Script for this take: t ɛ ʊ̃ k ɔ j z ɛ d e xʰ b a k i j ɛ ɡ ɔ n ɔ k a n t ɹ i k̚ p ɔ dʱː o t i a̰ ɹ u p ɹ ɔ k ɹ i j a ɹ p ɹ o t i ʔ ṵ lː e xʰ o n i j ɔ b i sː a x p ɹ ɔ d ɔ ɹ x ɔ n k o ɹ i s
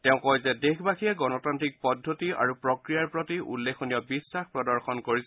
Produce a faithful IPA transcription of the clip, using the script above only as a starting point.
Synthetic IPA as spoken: t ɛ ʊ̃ k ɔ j z ɛ d e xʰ b a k i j ɛ ɡ ɔ n ɔ t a n t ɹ i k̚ p ɔ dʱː o t i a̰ ɹ u p ɹ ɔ k ɹ i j a ɹ p ɹ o t i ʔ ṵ lː e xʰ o n i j ɔ b i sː a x p ɹ ɔ d ɔ ɹ x ɔ n k o ɹ i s